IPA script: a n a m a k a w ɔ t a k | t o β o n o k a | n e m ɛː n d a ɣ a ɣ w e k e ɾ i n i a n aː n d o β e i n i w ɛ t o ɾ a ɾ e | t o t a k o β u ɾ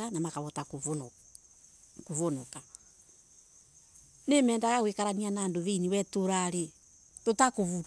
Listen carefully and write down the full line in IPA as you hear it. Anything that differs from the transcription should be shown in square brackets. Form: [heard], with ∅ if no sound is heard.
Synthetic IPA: a n a m a k a [β] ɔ t a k | [k] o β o n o k a | n e m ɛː n d a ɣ a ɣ w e k [a] ɾ [a] n i a n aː n d o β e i n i w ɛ t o ɾ a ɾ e | t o t a k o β u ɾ